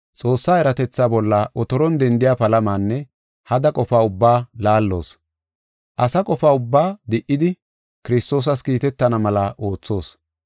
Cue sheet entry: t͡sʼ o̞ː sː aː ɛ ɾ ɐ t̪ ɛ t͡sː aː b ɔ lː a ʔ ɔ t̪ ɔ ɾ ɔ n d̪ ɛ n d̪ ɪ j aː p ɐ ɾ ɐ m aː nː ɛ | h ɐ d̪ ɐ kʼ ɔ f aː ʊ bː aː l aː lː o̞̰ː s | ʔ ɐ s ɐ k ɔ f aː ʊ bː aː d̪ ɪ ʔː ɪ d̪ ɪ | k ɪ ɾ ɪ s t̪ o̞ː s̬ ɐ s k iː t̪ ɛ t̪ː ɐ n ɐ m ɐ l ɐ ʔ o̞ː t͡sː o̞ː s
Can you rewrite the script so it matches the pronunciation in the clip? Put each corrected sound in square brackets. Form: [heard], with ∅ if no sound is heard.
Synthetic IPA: t͡sʼ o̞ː sː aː ɛ ɾ ɐ t̪ ɛ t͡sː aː b ɔ lː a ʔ ɔ t̪ ɔ ɾ ɔ n d̪ ɛ n d̪ ɪ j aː p ɐ [l] ɐ m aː nː ɛ | h ɐ d̪ ɐ kʼ ɔ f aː ʊ bː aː l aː lː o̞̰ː s | ʔ ɐ s ɐ [kʼ] ɔ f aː ʊ bː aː d̪ ɪ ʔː ɪ d̪ ɪ | k ɪ ɾ ɪ s t̪ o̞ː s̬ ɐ s k iː t̪ ɛ t̪ː ɐ n ɐ m ɐ l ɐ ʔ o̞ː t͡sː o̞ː s